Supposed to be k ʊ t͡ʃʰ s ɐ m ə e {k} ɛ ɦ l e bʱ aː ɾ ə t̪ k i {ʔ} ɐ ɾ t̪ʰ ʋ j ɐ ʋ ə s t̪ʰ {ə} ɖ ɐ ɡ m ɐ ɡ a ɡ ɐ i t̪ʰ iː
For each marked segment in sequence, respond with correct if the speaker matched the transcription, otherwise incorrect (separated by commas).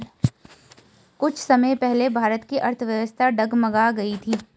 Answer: incorrect, correct, incorrect